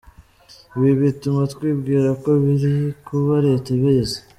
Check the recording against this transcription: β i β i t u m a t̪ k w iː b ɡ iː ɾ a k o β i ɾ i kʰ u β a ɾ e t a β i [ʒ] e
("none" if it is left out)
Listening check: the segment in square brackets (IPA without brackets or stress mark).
z